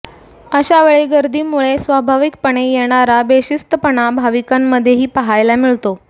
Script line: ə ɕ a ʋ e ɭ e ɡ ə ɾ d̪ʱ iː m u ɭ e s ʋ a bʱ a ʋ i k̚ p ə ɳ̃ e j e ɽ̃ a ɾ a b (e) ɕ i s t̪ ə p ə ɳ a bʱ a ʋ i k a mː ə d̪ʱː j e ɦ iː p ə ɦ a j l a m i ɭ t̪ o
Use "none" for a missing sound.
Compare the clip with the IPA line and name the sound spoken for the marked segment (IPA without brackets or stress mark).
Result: e